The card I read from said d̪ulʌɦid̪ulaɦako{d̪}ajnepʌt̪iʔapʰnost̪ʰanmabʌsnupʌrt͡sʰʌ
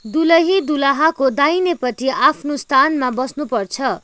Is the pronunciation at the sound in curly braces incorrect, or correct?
correct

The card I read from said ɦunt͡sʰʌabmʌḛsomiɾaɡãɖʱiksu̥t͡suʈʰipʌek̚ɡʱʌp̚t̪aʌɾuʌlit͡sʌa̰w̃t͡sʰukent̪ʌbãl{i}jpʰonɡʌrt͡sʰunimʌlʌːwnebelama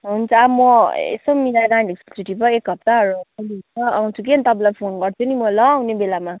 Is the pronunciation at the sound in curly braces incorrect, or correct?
incorrect: a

